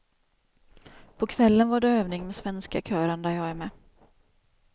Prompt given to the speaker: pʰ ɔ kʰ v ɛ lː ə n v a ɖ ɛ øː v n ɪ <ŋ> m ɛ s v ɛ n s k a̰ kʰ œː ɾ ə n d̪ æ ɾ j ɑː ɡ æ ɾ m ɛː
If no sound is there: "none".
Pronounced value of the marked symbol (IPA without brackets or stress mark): ŋ